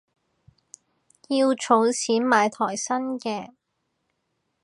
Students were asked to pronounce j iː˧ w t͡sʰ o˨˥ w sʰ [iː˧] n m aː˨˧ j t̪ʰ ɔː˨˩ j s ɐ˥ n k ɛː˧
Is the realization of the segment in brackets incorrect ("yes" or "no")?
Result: yes